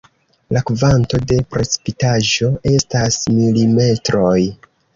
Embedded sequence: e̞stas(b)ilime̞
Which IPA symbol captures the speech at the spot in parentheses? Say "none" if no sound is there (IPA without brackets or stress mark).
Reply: m